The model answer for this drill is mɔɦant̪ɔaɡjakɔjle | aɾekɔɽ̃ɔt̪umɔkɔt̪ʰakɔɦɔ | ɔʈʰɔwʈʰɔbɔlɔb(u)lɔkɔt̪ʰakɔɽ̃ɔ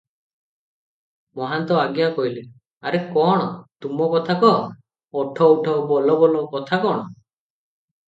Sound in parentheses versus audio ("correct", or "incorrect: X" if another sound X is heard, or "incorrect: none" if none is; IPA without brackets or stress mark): incorrect: ɔ